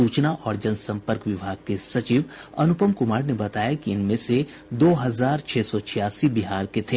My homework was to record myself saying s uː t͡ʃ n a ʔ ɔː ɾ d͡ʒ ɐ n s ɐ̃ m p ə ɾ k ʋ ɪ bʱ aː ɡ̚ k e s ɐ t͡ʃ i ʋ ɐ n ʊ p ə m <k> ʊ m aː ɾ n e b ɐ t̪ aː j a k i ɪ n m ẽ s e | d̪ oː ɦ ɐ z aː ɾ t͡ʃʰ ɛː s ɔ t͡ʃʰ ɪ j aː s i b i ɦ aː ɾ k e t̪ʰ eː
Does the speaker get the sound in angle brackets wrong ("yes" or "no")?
no